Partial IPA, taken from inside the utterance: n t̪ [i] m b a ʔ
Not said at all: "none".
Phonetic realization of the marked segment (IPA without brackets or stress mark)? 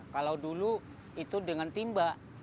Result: i